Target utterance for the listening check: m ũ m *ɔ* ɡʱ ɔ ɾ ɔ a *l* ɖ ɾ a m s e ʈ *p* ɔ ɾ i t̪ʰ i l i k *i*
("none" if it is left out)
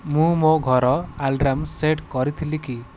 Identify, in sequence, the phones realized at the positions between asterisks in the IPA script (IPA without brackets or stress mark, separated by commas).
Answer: o, l, k, i